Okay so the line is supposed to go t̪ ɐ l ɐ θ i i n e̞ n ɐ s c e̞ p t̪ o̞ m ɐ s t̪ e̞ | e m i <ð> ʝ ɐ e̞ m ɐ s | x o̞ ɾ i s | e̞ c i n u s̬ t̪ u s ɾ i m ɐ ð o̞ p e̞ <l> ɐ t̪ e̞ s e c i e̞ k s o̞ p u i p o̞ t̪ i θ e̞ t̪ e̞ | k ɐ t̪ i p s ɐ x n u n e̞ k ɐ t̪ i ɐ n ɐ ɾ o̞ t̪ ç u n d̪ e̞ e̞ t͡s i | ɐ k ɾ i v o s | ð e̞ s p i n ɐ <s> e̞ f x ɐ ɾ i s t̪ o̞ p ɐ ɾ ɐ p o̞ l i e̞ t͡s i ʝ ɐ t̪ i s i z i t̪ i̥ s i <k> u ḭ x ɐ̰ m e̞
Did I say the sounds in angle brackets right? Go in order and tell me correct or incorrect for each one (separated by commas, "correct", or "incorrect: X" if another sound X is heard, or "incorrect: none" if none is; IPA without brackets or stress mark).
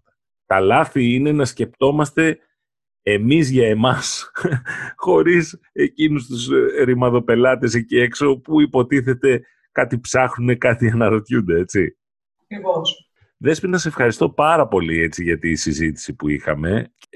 incorrect: z, correct, correct, incorrect: p